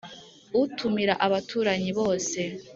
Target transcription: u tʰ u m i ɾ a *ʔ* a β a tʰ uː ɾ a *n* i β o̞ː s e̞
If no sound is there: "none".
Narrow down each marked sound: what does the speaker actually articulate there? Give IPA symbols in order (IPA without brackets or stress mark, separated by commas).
ʔ, ɲ